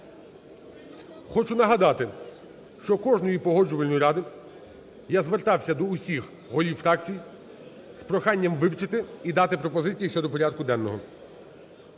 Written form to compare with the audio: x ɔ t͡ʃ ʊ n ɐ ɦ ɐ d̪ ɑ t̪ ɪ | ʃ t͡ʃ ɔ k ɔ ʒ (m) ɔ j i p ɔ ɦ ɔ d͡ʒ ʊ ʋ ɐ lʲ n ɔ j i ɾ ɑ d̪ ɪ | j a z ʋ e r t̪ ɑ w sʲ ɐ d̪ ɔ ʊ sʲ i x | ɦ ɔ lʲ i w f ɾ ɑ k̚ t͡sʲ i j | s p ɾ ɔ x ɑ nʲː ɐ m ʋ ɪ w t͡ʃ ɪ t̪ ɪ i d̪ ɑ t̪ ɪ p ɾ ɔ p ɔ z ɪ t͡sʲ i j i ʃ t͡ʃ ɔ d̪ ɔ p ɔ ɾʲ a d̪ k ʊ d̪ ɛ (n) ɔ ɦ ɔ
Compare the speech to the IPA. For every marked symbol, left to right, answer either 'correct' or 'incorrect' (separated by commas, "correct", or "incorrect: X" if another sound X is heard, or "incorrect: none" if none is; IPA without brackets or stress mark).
incorrect: n, incorrect: nː